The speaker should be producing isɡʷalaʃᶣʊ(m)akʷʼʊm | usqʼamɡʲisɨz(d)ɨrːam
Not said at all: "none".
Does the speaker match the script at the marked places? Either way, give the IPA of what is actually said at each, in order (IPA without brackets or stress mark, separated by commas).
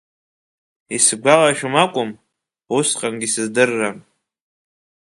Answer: m, d